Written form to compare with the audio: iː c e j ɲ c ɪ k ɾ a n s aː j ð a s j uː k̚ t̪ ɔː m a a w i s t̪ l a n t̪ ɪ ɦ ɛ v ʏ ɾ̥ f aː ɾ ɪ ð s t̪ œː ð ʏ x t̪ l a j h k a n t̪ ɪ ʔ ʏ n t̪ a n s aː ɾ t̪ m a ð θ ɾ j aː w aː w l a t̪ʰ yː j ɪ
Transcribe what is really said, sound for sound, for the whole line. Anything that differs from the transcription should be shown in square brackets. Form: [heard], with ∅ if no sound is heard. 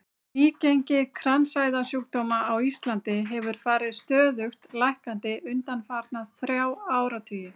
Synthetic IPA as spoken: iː c e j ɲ c ɪ [kʰ] ɾ a n s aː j ð a s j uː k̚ t̪ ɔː m a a w i s t̪ l a n t̪ ɪ ɦ ɛ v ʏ ɾ̥ f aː ɾ ɪ ð s t̪ œː ð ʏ x t̪ l a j h k a n t̪ ɪ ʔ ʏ n t̪ a n [f] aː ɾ t̪ [n] a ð θ ɾ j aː w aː w [ɾ] a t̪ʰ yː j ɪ